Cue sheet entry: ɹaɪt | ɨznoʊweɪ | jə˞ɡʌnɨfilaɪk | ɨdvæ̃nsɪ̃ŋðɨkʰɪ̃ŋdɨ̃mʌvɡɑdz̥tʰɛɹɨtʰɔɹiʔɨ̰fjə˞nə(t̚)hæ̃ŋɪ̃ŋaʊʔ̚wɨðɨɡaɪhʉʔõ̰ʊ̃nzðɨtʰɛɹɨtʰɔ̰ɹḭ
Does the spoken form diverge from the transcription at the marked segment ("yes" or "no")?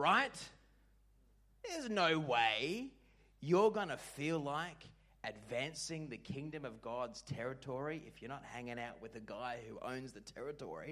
no